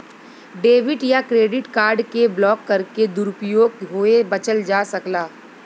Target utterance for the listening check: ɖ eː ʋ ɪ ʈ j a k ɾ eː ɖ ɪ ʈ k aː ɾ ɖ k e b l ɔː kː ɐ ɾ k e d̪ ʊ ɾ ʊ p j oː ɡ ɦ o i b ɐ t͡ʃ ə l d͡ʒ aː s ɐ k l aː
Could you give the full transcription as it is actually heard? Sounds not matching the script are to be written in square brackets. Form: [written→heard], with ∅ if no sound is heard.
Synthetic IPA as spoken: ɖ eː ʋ ɪ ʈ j a k ɾ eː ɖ ɪ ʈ k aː ɾ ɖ k e b l ɔː kː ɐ ɾ k e d̪ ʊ ɾ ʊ p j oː ɡ ɦ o [i→e] b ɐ t͡ʃ ə l d͡ʒ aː s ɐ k l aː